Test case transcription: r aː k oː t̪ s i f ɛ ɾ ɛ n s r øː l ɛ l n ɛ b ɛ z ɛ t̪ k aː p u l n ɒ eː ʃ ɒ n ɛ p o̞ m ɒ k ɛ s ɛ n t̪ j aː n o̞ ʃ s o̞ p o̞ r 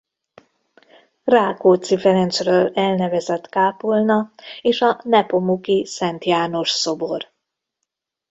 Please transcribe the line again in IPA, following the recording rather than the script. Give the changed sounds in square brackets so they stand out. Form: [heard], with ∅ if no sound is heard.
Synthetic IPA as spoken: r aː k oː t̪ s i f ɛ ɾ ɛ n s r øː l ɛ l n ɛ [v] ɛ z ɛ t̪ k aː p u l n ɒ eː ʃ ɒ n ɛ p o̞ m [u] k [i] s ɛ n t̪ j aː n o̞ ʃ s o̞ [b] o̞ r